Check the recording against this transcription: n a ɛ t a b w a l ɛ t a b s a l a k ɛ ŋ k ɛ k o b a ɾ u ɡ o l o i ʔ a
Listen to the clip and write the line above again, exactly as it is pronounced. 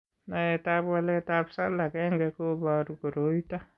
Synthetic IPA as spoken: n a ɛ t a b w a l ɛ t a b s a l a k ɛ ŋ ɡ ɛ k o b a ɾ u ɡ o ɾ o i t a